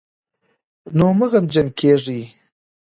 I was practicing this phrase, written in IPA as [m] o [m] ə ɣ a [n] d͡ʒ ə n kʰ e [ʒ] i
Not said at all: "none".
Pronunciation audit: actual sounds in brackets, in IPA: n, m, m, ʐ

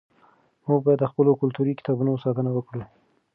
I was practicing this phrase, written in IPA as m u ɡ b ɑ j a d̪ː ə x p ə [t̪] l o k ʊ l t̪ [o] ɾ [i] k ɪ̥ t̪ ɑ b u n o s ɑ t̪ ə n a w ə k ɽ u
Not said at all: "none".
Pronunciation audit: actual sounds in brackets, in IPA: none, u, i

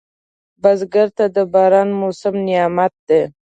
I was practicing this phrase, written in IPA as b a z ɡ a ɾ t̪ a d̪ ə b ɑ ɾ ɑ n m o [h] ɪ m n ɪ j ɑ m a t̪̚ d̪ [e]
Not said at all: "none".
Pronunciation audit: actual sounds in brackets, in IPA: s, e

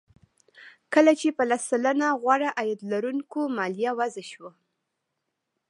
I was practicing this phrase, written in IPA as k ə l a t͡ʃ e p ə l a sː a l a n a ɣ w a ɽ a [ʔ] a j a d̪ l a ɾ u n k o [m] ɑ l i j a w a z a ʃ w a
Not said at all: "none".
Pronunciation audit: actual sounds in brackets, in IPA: ʔ, m

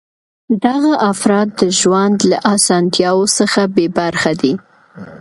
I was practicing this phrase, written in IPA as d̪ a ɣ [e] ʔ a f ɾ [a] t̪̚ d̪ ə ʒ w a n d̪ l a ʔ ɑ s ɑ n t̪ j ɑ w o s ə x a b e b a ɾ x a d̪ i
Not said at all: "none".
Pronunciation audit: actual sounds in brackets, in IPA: a, ɑ

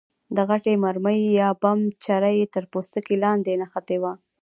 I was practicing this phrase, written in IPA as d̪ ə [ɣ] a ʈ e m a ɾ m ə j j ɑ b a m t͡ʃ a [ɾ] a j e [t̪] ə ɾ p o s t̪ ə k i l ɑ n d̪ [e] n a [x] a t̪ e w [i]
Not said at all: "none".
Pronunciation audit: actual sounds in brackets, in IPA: ɣ, ɾ, t̪, e, x, a

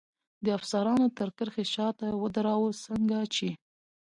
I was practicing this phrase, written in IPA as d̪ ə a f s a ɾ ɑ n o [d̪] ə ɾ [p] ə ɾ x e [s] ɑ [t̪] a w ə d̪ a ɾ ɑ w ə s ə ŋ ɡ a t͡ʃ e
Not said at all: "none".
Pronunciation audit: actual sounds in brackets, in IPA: t̪, k, ʃ, t̪

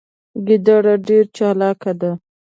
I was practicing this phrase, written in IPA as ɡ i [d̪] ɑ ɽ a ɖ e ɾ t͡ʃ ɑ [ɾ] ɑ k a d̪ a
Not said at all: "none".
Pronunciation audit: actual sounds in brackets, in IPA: d̪, l

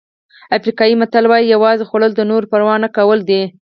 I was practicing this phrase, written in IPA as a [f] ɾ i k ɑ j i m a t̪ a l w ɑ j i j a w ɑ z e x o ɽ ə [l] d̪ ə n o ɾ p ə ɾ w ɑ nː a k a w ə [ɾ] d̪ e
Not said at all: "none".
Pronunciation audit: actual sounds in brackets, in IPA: f, l, l

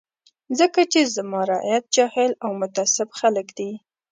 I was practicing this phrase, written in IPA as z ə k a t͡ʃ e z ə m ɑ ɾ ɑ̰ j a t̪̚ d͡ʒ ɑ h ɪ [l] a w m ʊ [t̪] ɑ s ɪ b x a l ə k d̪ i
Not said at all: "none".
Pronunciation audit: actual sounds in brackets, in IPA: l, t̪

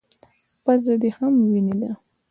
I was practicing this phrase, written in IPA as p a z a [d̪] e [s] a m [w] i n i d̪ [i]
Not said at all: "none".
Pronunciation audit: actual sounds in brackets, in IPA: d̪, h, w, a

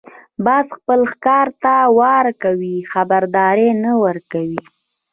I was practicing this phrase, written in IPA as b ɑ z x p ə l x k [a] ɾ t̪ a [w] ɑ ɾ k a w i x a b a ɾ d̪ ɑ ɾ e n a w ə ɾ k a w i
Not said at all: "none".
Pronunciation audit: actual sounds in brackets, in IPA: ɑ, w

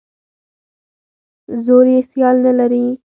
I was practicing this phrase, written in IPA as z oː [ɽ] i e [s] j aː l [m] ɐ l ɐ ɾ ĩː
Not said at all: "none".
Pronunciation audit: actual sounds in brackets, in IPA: ɾ, s, n

